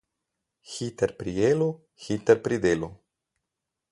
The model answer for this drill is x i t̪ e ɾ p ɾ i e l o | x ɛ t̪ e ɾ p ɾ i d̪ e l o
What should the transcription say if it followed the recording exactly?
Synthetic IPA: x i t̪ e ɾ p ɾ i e l o | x i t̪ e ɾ p ɾ i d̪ e l o